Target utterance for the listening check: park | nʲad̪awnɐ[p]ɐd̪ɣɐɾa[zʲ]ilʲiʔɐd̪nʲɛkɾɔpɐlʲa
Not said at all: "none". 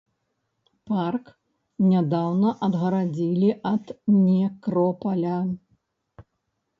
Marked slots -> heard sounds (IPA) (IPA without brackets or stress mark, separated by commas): ʔ, d͡zʲ